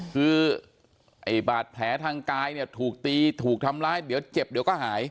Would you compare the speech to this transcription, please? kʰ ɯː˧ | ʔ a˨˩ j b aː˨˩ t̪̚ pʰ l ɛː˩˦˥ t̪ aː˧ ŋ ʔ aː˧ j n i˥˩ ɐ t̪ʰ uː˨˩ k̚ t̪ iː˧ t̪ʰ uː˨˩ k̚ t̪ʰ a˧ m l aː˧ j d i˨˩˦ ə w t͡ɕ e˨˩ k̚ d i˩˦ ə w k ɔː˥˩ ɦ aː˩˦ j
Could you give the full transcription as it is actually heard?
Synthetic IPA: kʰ ɯː˧ | ʔ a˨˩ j b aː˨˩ t̪̚ pʰ l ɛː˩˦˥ t̪ʰ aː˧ ŋ k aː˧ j n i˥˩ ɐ t̪ʰ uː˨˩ k̚ t̪ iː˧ t̪ʰ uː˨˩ k̚ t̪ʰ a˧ m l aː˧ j d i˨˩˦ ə w t͡ɕ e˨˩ p̚ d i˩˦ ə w k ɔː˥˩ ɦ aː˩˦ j

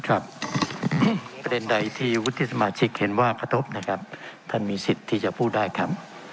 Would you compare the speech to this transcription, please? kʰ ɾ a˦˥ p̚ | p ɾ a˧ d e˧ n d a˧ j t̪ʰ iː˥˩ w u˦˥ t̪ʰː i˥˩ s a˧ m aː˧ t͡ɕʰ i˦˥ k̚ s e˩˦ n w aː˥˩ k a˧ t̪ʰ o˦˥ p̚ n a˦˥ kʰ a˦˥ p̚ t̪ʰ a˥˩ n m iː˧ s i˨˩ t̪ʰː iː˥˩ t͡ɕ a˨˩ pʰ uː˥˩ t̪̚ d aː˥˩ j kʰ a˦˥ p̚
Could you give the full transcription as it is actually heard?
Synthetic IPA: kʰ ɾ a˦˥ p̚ | p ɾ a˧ d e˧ n d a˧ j t̪ʰ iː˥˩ w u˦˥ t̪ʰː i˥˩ s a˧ m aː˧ t͡ɕʰ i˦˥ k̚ h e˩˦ n w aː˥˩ k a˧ t̪ʰ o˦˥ p̚ n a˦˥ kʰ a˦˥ p̚ t̪ʰ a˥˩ n m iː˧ s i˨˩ t̪ʰː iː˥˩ t͡ɕ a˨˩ pʰ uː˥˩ t̪̚ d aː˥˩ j kʰ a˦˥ p̚

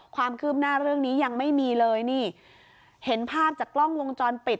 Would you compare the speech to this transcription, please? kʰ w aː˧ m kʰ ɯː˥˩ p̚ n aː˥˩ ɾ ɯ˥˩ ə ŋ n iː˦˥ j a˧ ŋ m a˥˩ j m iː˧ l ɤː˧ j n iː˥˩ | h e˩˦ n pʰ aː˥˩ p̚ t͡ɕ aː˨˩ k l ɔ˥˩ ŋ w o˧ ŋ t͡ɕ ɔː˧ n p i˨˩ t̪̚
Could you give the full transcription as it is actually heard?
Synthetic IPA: kʰ w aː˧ m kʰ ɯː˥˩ p̚ n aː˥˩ ɾ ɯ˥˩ ə ŋ n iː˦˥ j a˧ ŋ m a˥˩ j m iː˧ l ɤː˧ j n iː˥˩ | h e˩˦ n pʰ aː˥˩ p̚ t͡ɕ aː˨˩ k l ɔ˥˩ ŋ w o˧ ŋ t͡ɕ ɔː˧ n p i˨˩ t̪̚

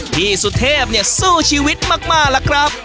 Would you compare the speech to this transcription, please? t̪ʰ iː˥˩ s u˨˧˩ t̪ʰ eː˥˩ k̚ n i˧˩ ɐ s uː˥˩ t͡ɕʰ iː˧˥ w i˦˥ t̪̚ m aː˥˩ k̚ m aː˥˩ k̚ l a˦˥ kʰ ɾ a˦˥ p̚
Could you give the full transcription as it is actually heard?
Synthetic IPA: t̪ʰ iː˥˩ s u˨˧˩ t̪ʰ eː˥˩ p̚ n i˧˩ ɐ s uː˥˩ t͡ɕʰ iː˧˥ w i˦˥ t̪̚ m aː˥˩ k̚ m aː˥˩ k̚ l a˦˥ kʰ ɾ a˦˥ p̚

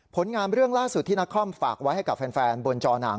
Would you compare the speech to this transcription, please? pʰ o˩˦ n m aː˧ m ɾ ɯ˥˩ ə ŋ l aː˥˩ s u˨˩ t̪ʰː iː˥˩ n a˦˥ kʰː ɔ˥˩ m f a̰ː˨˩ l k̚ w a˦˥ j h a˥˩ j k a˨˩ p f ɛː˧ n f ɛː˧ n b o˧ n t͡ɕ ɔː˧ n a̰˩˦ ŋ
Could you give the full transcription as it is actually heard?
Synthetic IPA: pʰ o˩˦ n ŋ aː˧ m ɾ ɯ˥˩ ə ŋ l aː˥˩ s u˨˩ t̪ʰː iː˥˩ n a˦˥ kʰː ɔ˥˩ m f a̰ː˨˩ k̚ w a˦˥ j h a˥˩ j k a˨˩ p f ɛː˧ n f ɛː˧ n b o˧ n t͡ɕ ɔː˧ n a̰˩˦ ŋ

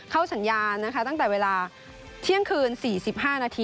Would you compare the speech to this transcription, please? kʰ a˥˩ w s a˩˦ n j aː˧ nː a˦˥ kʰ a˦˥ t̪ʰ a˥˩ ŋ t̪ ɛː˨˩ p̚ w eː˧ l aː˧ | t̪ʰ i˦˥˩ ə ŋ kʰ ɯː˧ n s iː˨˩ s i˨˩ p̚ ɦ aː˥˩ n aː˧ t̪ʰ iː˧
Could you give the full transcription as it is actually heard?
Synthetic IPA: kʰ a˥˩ w s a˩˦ n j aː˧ nː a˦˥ kʰ a˦˥ t̪ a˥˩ ŋ t̪ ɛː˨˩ w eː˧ l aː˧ | t̪ʰ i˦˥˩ ə ŋ kʰ ɯː˧ n s iː˨˩ s i˨˩ p̚ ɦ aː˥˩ n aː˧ t̪ʰ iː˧

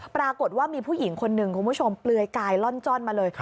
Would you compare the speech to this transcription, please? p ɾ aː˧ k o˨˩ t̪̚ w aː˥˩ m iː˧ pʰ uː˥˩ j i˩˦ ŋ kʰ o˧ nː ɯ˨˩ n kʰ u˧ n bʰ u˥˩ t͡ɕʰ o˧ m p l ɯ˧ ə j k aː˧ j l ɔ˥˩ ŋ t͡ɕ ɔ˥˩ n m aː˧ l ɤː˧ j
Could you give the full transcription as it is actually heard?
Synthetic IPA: p ɾ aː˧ k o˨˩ t̪̚ w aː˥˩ m iː˧ pʰ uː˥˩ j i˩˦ ŋ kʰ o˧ nː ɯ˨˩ ŋ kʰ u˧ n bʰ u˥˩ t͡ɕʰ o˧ m p l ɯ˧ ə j k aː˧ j l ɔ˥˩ n t͡ɕ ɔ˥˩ n m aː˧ l ɤː˧ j

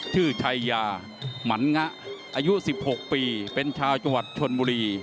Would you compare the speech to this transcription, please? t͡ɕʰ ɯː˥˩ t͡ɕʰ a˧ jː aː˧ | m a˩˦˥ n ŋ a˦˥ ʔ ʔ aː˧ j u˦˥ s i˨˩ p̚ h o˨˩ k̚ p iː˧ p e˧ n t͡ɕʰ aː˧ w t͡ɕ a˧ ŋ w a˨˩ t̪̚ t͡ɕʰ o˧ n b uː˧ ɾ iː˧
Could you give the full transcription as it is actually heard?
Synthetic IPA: t͡ɕʰ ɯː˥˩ t͡ɕʰ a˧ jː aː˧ | m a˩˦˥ n ŋ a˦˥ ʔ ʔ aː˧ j u˦˥ s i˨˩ p̚ h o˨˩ k̚ p iː˧ p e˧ n t͡ɕʰ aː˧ w t͡ɕ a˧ ŋ w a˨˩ t̪̚ t͡ɕʰ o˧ n b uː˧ ɾ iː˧

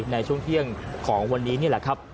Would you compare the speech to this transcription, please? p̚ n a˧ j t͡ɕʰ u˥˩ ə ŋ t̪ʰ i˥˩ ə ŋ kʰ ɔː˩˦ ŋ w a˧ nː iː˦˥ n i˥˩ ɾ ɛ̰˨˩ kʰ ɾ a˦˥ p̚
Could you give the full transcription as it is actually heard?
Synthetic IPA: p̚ n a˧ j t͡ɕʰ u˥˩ ə ŋ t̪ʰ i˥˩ ə ŋ kʰ ɔː˩˦ ŋ w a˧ nː iː˦˥ n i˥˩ l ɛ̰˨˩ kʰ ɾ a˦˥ p̚

